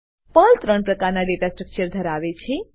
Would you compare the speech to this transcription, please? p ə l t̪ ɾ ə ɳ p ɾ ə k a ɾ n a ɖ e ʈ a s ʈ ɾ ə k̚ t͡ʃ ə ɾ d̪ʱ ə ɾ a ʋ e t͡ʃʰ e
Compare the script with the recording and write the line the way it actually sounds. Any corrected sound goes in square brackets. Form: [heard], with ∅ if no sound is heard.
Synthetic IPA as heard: p ə l t̪ ɾ ə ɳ p ɾ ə k a ɾ n a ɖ e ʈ a s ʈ ɾ ə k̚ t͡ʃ ə ɾ d̪ʱ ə ɾ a ʋ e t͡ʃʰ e